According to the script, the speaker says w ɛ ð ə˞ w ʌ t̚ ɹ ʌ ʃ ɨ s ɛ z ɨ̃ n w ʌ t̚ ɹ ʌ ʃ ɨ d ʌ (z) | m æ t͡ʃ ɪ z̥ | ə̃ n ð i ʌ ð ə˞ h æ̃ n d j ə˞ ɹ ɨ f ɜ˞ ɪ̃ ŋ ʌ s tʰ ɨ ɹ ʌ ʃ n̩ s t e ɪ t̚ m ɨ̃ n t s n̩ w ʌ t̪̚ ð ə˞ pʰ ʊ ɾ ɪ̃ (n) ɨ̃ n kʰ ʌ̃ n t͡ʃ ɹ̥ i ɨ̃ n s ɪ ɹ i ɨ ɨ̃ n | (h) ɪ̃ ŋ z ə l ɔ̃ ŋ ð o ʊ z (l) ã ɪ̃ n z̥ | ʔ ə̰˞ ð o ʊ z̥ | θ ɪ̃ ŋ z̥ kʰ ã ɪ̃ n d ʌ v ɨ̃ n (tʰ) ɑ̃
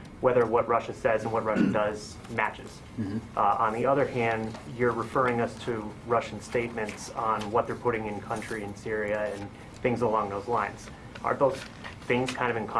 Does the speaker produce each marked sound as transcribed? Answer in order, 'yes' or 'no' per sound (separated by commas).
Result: yes, no, no, yes, no